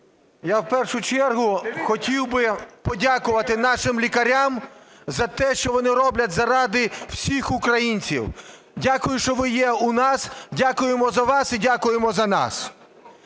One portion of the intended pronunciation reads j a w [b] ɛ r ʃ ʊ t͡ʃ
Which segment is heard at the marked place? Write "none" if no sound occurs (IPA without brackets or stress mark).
p